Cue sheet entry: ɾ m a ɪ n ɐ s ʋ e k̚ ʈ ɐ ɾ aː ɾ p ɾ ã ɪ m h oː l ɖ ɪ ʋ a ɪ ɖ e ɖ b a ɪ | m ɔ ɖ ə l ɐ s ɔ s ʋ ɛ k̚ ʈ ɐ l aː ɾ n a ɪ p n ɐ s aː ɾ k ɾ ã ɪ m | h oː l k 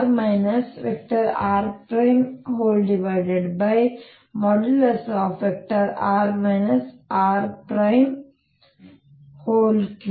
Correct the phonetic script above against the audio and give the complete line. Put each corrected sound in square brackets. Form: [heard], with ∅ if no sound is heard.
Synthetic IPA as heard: ɾ m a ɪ n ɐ s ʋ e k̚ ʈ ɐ ɾ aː ɾ p ɾ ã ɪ m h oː l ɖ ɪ ʋ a ɪ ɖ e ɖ b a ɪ | m ɔ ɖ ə l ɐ s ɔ [f] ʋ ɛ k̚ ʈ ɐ [ɾ] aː ɾ [m] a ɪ [∅] n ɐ s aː ɾ [p] ɾ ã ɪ m | h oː l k

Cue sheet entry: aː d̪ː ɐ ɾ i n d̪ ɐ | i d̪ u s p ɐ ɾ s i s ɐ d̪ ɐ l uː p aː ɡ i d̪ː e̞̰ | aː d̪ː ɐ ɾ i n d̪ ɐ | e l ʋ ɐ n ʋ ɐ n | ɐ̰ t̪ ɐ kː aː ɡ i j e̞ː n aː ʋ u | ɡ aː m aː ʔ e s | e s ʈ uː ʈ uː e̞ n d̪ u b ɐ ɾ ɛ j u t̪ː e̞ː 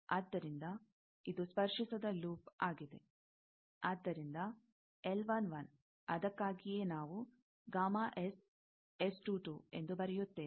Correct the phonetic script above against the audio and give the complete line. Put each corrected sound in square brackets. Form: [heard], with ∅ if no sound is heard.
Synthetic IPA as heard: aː d̪ː ɐ ɾ i n d̪ ɐ | i d̪ u s p ɐ ɾ [ʂ] i s ɐ d̪ ɐ l uː p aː ɡ i [d̪] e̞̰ | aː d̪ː ɐ ɾ i n d̪ ɐ | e l ʋ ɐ n ʋ ɐ n | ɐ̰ [d̪] ɐ kː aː ɡ i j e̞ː n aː ʋ u | ɡ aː m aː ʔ e s | e s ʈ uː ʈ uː e̞ n d̪ u b ɐ ɾ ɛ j u t̪ː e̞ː

